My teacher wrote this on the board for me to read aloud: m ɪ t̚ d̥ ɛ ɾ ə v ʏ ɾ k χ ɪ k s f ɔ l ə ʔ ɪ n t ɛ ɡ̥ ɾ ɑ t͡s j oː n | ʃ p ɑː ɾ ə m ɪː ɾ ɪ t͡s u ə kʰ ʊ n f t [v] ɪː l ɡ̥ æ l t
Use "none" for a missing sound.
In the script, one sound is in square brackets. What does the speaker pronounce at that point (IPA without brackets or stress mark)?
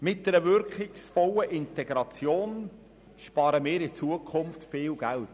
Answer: f